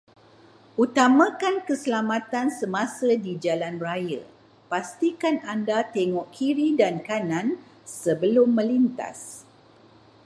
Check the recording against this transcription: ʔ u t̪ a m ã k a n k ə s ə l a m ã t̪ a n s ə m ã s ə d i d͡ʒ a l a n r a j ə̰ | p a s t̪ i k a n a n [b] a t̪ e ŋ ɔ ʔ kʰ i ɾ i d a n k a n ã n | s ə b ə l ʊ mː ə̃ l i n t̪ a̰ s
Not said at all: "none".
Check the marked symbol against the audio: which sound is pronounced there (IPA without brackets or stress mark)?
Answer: d